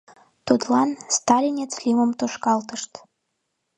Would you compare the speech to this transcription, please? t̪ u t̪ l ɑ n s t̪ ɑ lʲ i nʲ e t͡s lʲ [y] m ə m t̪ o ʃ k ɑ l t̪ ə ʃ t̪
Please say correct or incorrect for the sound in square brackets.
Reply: incorrect